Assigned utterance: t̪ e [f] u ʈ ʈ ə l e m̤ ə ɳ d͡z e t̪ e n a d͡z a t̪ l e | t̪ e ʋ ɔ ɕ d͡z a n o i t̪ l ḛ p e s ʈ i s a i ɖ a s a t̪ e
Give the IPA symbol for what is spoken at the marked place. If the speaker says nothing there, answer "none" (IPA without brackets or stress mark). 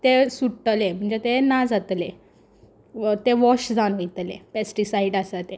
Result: s